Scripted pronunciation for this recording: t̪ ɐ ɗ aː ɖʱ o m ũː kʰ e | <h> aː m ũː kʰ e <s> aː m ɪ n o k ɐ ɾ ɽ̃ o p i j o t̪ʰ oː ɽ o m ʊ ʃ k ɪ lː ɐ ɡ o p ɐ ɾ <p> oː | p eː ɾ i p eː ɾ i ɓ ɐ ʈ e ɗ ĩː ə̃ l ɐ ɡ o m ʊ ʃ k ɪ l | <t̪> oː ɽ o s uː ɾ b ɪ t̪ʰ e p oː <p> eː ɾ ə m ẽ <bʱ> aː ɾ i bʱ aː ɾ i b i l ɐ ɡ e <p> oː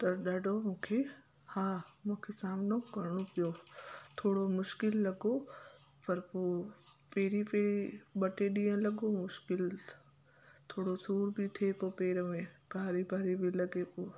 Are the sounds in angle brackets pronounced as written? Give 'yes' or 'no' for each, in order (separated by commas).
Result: yes, yes, yes, no, yes, yes, yes